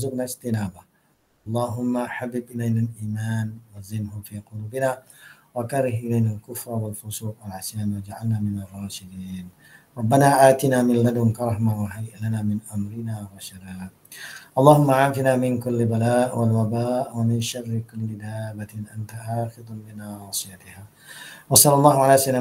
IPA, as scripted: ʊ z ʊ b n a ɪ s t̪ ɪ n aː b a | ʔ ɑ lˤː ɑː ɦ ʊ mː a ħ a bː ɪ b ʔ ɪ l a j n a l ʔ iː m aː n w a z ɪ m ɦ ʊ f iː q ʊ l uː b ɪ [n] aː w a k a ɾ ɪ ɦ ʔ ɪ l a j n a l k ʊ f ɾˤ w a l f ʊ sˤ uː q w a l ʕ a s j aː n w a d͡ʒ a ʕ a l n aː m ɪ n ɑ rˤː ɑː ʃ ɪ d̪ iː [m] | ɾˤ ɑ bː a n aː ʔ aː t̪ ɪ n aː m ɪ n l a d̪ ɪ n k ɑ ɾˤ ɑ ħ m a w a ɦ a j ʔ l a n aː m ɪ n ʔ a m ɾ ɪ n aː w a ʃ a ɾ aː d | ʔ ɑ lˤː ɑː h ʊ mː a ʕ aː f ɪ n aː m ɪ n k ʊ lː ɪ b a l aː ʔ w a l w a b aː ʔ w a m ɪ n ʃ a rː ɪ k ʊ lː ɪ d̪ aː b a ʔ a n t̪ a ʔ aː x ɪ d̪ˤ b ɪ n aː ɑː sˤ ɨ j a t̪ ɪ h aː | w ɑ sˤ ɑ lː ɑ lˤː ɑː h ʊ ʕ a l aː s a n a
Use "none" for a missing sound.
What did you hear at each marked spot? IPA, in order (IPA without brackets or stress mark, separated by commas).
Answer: n, n